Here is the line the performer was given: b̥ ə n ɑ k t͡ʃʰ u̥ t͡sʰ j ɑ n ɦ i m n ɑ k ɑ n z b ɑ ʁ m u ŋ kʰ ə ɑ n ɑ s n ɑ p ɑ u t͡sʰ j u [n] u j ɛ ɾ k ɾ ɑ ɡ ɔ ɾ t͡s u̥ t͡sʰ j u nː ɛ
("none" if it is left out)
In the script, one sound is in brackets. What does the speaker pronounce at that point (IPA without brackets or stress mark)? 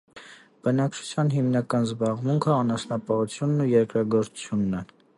nː